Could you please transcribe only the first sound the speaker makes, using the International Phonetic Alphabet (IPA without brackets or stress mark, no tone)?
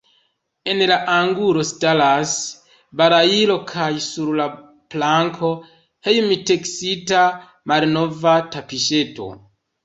e̞